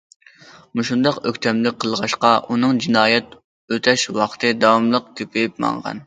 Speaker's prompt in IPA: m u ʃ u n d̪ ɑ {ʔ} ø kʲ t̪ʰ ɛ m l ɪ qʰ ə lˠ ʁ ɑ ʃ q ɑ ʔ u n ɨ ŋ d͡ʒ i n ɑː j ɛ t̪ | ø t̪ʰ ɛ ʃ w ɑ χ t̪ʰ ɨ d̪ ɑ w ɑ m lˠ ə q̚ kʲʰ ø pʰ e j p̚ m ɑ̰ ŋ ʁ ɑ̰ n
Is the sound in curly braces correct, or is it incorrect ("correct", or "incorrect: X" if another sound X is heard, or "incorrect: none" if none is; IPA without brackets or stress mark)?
incorrect: q